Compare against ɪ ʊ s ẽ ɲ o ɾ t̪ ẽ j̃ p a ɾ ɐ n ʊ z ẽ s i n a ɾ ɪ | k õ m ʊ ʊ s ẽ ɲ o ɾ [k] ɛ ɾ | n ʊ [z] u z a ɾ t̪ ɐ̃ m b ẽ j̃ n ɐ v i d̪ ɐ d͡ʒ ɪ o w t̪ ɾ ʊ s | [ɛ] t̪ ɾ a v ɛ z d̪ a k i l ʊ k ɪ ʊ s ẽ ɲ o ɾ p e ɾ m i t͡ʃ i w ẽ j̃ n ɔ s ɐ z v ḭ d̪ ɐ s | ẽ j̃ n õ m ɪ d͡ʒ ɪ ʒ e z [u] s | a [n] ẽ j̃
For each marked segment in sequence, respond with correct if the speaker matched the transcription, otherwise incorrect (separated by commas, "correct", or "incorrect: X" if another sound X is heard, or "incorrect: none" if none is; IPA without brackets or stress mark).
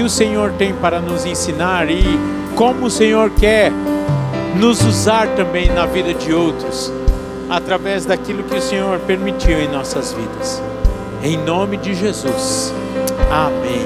correct, correct, incorrect: a, correct, incorrect: m